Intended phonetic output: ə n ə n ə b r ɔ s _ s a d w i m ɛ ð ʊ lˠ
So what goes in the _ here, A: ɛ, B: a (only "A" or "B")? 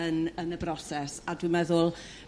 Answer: A